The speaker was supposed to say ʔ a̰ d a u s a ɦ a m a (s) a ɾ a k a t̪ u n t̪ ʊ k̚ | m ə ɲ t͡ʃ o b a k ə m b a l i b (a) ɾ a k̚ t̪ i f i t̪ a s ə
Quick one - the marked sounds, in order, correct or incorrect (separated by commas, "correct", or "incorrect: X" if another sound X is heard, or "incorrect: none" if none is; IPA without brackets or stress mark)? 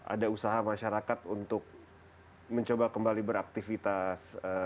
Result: incorrect: ʃ, incorrect: ə